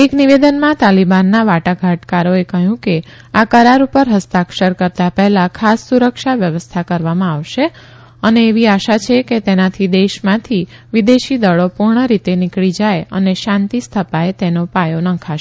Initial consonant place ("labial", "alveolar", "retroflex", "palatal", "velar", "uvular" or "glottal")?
velar